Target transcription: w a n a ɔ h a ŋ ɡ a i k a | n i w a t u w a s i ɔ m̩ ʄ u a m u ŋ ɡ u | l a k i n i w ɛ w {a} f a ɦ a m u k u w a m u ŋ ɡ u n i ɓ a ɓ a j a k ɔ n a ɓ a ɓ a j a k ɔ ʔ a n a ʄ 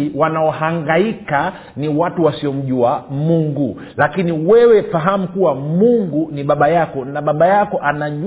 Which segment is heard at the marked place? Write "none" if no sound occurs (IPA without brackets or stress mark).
ɛ